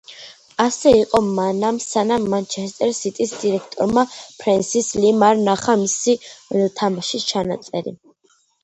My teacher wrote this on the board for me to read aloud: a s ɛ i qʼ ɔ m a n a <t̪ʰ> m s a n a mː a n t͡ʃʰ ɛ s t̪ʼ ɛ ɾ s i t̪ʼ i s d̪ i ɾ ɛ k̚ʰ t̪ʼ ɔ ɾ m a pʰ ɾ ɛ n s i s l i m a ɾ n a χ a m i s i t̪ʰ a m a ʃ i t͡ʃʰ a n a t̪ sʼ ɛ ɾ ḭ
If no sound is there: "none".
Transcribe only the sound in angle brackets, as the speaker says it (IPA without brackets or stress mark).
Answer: none